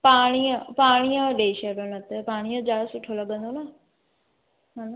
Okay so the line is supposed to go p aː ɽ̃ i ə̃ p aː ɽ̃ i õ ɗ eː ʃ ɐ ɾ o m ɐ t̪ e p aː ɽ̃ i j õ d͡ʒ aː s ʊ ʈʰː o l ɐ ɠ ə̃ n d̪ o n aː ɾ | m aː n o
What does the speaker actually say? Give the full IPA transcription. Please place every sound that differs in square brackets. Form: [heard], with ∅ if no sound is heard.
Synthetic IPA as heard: p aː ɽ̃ i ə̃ p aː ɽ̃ i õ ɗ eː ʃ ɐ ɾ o [n] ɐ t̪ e p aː ɽ̃ i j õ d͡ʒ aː s ʊ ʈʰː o l ɐ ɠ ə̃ n d̪ o n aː [∅] | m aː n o